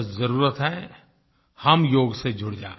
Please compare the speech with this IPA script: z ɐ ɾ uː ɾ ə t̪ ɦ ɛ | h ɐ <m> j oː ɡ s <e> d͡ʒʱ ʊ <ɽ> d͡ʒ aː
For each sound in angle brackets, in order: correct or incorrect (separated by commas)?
correct, correct, correct